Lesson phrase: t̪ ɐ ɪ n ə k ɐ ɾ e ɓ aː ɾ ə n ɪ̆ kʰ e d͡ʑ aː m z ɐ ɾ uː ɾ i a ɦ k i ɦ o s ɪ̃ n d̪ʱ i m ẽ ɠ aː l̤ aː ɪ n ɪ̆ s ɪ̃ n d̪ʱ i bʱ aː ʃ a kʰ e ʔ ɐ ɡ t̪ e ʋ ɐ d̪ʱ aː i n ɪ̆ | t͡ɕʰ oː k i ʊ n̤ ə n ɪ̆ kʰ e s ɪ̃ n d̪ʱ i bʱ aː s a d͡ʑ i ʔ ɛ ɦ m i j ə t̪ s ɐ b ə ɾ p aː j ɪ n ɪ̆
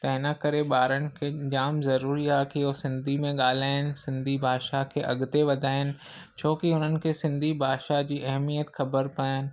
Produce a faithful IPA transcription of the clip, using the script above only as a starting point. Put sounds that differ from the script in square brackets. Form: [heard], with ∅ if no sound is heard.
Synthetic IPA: t̪ ɐ ɪ n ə k ɐ ɾ e ɓ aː ɾ ə n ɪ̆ kʰ e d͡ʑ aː m z ɐ ɾ uː ɾ i a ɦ k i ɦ o s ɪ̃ n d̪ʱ i m ẽ ɠ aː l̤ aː ɪ n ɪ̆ s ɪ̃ n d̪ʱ i bʱ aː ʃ a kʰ e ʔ ɐ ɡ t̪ e ʋ ɐ d̪ʱ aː [ɪ] n ɪ̆ | t͡ɕʰ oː k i ʊ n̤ ə n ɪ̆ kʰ e s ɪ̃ n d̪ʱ i bʱ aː [ʃ] a d͡ʑ [iː] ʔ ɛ ɦ m i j ə t̪ [x] ɐ b ə ɾ p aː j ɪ n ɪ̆